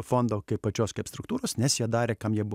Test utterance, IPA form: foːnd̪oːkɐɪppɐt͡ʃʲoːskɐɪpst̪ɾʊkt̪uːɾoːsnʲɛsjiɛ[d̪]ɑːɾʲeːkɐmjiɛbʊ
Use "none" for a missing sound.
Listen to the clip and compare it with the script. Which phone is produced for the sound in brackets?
d̪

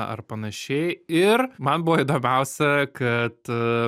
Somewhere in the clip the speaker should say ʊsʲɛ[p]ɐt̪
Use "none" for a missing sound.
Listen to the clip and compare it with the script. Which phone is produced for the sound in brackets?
k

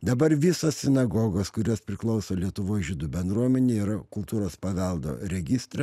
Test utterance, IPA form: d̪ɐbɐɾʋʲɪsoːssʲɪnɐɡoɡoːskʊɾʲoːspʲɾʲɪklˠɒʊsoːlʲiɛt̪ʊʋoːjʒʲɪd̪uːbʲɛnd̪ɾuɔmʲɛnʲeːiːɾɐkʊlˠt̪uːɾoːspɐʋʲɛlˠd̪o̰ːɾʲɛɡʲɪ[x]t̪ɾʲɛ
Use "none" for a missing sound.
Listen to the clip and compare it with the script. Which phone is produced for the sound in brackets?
s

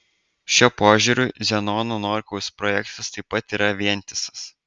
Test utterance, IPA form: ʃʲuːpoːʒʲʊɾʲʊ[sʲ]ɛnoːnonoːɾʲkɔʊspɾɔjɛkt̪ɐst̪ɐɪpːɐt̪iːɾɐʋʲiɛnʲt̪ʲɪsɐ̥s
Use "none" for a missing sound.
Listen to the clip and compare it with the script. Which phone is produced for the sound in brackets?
zʲ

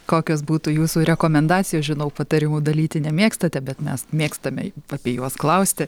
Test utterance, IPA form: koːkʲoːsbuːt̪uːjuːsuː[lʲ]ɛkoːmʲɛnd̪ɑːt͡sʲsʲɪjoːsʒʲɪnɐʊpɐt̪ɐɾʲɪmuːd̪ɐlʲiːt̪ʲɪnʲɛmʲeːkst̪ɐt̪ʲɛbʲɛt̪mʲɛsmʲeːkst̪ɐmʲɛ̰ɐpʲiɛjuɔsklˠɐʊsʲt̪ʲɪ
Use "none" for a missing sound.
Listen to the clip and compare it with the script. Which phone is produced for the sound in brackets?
ɾʲ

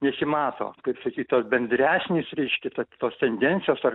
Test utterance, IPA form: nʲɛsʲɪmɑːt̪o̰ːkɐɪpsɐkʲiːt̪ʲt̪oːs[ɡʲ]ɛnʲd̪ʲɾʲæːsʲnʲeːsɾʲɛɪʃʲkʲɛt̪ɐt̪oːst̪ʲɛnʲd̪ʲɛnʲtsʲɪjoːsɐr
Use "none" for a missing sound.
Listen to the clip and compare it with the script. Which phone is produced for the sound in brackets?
bʲ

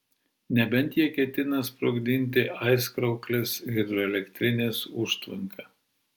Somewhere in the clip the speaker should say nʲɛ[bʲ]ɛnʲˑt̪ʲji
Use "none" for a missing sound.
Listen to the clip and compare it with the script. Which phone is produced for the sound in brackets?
bʲ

